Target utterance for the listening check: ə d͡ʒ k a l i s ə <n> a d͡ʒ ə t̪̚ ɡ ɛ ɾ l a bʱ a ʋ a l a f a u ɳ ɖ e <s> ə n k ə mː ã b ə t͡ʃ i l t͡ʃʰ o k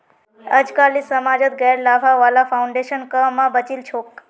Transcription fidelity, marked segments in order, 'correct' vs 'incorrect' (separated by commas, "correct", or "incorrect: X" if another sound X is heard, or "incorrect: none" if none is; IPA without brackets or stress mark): incorrect: m, incorrect: ʃ